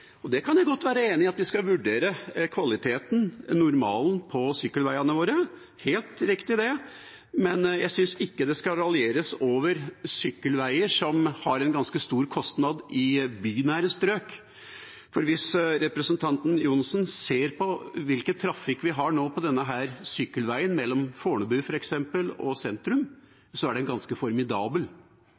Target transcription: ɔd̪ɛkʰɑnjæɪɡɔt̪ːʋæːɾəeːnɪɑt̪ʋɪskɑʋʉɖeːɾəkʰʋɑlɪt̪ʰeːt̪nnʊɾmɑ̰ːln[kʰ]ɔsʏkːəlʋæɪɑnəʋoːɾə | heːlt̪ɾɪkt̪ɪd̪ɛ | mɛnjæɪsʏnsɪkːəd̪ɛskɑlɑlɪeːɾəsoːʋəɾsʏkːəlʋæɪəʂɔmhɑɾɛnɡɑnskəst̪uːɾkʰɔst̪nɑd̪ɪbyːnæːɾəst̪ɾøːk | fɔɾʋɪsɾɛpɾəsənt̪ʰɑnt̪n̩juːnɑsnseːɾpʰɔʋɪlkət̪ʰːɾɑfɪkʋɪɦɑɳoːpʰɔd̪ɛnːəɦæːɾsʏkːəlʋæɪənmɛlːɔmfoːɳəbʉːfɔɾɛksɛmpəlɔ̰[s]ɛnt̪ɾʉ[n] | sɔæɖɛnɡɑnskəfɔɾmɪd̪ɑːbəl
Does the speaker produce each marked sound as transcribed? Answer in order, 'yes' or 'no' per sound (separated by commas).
no, yes, no